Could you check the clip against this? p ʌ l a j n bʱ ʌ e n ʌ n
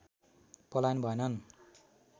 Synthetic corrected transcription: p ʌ l a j n bʱ ʌ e n ʌ n